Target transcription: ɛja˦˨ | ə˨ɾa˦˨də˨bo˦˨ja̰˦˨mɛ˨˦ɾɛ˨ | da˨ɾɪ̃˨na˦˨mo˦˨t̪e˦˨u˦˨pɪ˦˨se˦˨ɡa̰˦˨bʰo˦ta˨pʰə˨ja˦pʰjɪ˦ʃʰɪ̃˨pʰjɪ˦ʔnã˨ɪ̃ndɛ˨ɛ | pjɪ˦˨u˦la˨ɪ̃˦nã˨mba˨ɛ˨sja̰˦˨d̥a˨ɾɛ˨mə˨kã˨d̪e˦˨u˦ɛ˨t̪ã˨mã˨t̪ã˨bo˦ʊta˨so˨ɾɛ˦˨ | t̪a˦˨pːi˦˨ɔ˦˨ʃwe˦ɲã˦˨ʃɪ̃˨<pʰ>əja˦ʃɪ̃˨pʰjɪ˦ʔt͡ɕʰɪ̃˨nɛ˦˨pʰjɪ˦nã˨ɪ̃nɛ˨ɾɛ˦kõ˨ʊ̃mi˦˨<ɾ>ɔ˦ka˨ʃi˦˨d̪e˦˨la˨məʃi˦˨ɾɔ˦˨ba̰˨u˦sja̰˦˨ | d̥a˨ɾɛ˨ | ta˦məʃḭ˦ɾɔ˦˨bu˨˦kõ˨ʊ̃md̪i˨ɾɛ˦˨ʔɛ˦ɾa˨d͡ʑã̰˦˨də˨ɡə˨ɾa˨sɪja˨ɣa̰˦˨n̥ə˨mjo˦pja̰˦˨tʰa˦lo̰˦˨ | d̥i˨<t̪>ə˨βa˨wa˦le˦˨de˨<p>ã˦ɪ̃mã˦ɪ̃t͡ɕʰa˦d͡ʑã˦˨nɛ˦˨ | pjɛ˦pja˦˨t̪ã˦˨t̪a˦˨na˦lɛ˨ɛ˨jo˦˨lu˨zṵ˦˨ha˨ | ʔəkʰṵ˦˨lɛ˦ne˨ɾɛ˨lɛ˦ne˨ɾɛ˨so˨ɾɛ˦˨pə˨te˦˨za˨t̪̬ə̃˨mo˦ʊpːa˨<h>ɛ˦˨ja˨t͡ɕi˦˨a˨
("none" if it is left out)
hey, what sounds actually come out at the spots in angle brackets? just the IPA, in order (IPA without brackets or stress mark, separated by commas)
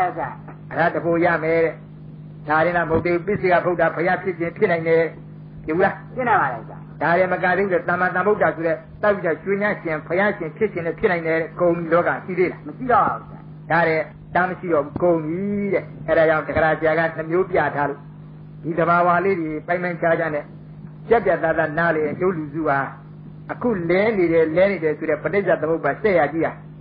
pʰ, l, d̪, p, s